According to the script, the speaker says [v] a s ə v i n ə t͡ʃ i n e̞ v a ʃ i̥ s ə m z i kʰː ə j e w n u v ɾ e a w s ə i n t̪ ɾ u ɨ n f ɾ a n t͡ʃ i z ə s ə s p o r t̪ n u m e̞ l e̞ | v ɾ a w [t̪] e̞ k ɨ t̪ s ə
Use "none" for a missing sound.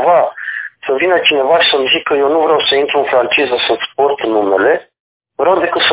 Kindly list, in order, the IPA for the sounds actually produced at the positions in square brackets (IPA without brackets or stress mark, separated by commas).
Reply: v, d̪